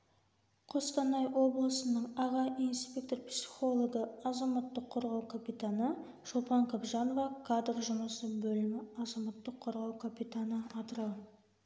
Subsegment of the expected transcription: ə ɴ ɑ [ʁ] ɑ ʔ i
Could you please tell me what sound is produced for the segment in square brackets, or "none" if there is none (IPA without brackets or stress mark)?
ʁ